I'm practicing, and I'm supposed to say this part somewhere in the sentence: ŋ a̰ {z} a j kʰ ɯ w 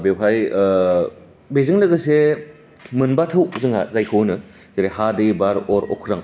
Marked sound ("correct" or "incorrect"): correct